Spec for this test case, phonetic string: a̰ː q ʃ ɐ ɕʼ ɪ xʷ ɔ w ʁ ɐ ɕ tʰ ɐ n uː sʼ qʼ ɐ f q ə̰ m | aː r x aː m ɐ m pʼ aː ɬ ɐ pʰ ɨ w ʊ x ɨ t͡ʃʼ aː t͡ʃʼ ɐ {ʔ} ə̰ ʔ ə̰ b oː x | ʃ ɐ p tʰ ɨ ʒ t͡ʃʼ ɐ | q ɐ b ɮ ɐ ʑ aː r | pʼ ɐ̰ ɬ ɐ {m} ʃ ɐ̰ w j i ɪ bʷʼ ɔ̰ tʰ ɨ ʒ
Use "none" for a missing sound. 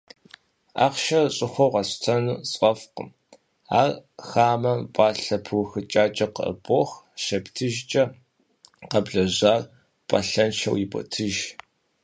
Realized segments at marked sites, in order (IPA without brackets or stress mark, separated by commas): q, n